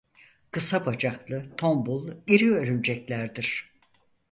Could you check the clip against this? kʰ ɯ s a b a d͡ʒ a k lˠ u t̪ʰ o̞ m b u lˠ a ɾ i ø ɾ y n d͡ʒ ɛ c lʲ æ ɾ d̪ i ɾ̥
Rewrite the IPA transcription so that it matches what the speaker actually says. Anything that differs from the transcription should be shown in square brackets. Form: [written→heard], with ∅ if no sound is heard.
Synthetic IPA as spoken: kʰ ɯ s a b a d͡ʒ a k lˠ [u→ɯ] t̪ʰ o̞ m b u lˠ [a→i] ɾ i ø ɾ y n d͡ʒ ɛ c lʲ æ ɾ d̪ i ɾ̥

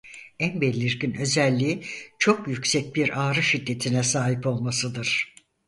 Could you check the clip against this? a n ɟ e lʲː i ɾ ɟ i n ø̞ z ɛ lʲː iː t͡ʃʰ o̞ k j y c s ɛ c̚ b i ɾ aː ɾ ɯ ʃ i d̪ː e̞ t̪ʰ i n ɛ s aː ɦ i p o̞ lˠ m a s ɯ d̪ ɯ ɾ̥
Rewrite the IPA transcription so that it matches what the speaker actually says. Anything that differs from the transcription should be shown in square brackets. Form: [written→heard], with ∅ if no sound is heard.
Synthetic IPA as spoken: [a→æ] n [ɟ→b] e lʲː i ɾ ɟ i n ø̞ z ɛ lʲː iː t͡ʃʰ o̞ k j y c s ɛ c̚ b i ɾ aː ɾ ɯ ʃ i d̪ː e̞ t̪ʰ i n ɛ s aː ɦ i p o̞ lˠ m a s ɯ d̪ ɯ ɾ̥

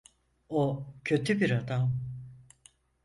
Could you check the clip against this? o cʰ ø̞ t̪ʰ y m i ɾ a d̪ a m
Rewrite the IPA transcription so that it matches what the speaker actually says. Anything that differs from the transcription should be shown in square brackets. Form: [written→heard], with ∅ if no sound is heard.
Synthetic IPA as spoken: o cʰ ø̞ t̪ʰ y [m→b] i ɾ a d̪ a m

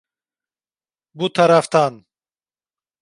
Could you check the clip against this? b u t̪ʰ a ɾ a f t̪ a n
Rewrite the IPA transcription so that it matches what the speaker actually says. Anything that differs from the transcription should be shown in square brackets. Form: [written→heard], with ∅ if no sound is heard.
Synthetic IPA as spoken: b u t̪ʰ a ɾ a f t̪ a n

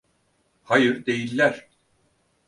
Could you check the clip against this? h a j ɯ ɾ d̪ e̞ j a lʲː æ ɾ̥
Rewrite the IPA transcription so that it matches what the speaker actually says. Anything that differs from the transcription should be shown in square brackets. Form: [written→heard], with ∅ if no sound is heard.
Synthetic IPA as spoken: h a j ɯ ɾ d̪ e̞ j [a→i] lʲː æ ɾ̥

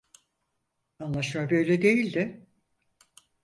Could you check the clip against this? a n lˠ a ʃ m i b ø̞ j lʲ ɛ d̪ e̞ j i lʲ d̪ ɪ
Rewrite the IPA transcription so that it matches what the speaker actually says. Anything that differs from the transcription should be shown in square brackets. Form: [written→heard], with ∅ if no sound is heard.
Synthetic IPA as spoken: a n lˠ a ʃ m [i→a] b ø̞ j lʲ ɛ d̪ e̞ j i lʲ d̪ ɪ

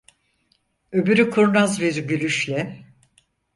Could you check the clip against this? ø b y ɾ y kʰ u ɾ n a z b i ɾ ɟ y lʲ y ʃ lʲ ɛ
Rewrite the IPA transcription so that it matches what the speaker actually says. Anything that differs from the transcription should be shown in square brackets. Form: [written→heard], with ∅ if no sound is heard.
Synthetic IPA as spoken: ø b y ɾ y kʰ u ɾ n a z b i ɾ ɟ y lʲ y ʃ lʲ ɛ

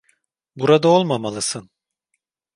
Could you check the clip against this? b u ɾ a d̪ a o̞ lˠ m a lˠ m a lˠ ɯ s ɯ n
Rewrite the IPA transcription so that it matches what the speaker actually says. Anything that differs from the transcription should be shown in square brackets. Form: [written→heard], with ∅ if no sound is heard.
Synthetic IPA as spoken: b u ɾ a d̪ a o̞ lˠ m a [lˠ→∅] m a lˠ ɯ s ɯ n

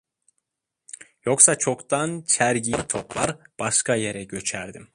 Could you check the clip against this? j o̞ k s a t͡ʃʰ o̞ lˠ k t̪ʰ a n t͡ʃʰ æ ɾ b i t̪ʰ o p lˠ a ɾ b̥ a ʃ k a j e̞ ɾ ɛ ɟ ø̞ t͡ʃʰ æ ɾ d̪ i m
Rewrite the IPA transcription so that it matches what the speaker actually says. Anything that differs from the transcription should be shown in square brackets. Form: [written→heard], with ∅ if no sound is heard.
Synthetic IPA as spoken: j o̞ k s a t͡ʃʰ o̞ [lˠ→∅] k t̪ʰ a n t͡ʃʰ æ ɾ [b→ɟ] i t̪ʰ o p lˠ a ɾ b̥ a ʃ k a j e̞ ɾ ɛ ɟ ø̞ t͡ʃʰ æ ɾ d̪ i m

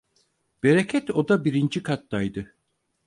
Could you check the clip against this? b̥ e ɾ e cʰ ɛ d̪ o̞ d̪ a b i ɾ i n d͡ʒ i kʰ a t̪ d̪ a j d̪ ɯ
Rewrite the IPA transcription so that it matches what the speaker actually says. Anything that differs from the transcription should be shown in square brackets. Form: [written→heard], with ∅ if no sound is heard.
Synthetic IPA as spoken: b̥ e ɾ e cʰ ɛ [d̪→t̪] o̞ d̪ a b i ɾ i n d͡ʒ i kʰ a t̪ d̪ a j d̪ ɯ

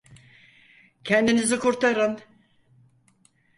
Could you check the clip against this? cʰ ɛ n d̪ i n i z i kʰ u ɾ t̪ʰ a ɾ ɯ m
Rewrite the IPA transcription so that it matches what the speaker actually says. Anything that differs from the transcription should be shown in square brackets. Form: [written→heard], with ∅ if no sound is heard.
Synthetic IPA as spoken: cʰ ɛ n d̪ i n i z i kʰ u ɾ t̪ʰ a ɾ ɯ [m→n]

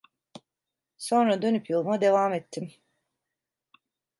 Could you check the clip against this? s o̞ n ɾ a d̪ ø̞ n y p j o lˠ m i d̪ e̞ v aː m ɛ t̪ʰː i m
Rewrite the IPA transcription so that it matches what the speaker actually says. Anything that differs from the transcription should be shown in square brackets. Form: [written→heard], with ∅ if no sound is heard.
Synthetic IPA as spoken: s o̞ n ɾ a d̪ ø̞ n y p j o lˠ m [i→a] d̪ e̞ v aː m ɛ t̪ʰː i m

